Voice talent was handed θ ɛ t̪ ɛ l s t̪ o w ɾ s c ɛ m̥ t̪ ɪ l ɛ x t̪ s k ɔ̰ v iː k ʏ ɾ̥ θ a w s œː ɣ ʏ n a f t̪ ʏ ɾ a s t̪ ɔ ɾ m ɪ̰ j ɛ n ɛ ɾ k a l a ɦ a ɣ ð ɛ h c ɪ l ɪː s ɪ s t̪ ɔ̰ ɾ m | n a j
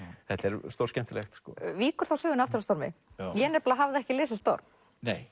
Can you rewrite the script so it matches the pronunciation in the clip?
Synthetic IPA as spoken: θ ɛ t̪ ɛ ɾ s t̪ o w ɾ s c ɛ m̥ t̪ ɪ l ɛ x t̪ s k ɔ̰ v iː k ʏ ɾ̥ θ a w s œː ɣ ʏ n a f t̪ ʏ ɾ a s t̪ ɔ ɾ m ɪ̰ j ɛ n ɛ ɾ p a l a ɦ a v ð ɛ h c ɪ l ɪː s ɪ s t̪ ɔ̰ ɾ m | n e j